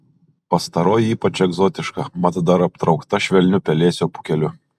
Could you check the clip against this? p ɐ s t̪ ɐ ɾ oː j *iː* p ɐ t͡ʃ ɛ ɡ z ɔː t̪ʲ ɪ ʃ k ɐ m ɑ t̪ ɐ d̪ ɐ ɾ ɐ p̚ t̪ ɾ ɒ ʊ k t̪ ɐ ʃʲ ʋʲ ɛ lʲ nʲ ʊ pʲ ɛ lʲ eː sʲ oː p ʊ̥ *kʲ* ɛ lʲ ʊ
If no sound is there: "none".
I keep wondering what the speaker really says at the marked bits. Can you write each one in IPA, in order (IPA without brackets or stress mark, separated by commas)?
iː, kʲ